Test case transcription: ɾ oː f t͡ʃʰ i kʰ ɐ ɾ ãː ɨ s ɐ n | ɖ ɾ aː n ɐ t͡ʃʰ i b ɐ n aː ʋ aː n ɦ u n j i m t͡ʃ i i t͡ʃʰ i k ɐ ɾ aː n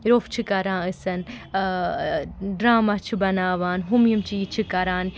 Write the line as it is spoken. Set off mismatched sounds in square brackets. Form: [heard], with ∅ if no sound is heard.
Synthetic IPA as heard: ɾ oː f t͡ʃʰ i [k] ɐ ɾ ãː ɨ s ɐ n | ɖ ɾ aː [m] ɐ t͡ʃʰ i b ɐ n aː ʋ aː n ɦ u [m] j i m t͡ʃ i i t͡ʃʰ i k ɐ ɾ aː n